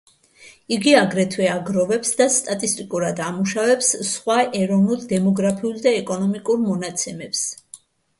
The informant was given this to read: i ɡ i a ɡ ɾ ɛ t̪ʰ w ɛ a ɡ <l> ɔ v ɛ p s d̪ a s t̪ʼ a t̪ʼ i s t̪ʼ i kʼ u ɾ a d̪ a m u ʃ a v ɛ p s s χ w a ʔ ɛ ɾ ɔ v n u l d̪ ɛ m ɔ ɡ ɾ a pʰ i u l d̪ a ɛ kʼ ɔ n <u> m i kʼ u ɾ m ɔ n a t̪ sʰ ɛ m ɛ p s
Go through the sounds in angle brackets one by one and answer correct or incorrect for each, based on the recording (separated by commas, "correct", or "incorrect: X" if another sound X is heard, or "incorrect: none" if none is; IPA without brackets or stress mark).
incorrect: ɾ, incorrect: ɔ